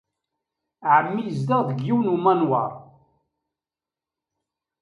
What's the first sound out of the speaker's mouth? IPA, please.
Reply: ʕ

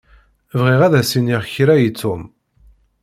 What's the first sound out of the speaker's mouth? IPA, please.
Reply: v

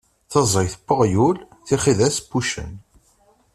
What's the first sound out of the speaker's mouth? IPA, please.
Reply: θ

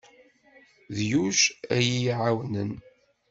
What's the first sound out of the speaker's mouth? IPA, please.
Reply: ð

